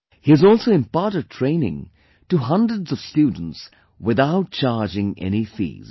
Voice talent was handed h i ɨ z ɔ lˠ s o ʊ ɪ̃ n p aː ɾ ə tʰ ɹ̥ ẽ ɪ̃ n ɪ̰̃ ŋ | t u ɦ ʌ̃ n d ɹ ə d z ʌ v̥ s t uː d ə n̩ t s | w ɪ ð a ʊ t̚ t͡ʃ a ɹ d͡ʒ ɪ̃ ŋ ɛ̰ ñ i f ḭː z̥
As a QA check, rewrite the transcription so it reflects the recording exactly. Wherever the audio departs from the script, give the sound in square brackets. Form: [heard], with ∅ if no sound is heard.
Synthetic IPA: h i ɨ z ɔ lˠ s o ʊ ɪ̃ [m] p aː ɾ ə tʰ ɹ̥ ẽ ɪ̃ n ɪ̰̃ ŋ | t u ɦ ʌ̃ n d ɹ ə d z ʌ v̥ s t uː d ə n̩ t s | w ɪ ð a ʊ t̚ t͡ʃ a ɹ d͡ʒ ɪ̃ ŋ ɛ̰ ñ i f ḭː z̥

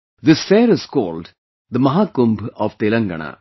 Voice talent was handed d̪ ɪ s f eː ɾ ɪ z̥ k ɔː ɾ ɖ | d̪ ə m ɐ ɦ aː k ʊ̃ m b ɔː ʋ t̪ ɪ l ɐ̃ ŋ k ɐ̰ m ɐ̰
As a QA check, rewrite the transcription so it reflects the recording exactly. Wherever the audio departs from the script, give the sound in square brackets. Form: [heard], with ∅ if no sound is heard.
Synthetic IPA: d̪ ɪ s f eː ɾ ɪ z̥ k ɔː [l] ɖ | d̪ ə m ɐ ɦ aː k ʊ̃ m b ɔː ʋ t̪ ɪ l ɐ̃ ŋ [ɡ] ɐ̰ [ɳ] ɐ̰

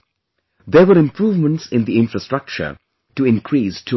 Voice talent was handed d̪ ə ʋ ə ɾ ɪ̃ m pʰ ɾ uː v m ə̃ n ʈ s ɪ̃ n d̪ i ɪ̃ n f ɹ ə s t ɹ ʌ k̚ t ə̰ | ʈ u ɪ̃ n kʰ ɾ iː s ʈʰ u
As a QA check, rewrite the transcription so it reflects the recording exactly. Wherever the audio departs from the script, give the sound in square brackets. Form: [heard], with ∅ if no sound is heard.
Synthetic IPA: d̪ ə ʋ ə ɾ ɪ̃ m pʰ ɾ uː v m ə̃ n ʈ s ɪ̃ n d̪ i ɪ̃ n f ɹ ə s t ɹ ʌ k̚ [t͡ʃ] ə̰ | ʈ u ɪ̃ n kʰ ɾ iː s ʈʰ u

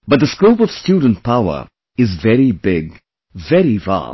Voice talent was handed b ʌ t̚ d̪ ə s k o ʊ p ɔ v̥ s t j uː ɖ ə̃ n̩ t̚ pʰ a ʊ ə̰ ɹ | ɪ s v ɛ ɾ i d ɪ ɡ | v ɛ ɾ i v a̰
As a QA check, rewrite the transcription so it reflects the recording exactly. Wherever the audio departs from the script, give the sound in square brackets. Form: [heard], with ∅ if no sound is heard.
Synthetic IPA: b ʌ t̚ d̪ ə s k o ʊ p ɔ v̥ s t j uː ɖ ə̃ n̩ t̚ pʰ a ʊ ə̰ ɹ | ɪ [z] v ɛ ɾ i [b] ɪ ɡ | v ɛ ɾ i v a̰

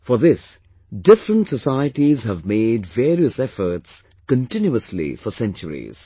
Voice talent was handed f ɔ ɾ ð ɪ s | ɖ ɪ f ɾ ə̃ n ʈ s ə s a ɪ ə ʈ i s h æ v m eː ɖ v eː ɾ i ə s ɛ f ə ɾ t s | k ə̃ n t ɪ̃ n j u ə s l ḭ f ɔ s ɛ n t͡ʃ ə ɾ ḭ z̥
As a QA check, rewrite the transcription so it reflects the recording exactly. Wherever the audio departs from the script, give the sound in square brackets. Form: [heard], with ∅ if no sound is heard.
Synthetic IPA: f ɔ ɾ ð ɪ s | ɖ ɪ f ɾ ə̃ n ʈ s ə s a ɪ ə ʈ i [z] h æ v m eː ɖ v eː ɾ i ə s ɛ f ə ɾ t s | k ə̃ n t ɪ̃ n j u ə s l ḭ f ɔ s [ɛ̃] n t͡ʃ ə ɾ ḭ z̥

